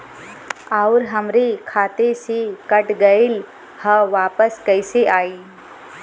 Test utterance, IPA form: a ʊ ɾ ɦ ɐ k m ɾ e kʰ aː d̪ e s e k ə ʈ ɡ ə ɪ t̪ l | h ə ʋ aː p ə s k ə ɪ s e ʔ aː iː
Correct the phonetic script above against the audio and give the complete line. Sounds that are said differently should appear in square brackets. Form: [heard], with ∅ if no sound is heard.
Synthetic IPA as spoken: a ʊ ɾ ɦ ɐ [∅] m ɾ e kʰ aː [t̪] e s e k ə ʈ ɡ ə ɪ [∅] l | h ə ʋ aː p ə s k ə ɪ s e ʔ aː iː